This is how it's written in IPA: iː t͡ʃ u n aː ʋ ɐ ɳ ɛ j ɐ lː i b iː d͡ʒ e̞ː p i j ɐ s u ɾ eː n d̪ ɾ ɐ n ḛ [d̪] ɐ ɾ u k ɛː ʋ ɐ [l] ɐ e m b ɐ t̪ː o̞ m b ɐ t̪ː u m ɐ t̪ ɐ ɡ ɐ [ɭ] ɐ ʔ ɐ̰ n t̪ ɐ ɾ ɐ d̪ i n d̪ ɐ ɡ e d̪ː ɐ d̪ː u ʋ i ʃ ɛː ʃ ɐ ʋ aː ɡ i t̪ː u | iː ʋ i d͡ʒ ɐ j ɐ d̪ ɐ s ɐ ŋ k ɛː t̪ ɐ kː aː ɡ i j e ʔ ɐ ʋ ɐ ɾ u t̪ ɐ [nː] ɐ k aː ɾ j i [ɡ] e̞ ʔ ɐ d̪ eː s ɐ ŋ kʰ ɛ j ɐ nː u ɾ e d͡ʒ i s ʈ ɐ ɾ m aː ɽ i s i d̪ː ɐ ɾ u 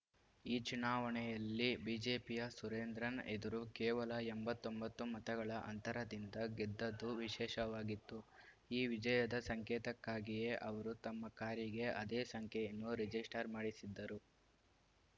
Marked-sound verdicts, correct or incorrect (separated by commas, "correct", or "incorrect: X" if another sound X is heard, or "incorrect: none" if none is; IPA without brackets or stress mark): correct, correct, correct, incorrect: mː, correct